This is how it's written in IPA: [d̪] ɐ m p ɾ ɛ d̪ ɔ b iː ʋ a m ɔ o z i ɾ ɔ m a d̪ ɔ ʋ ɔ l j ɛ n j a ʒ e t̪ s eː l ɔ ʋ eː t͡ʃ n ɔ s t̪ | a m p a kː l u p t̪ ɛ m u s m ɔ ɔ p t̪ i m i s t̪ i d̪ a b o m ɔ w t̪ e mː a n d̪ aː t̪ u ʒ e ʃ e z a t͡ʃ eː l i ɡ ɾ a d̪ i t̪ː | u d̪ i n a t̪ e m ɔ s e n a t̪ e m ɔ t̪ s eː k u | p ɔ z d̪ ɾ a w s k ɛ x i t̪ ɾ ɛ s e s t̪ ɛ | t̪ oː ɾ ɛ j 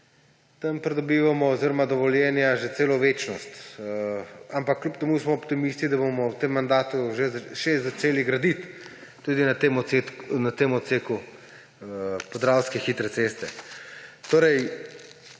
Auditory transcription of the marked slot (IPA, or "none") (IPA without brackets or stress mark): t̪